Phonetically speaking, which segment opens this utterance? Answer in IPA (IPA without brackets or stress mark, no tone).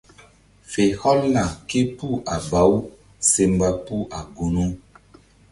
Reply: f